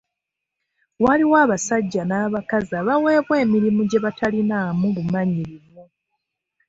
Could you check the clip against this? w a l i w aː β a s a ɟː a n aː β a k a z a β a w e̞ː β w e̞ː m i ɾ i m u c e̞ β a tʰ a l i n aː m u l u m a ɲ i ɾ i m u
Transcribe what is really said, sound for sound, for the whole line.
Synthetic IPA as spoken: w a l i w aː β a s a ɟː a n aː β a k a z a β a w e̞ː β w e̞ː m i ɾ i m u ɟ e̞ β a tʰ a l i n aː m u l u m a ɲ i ɾ i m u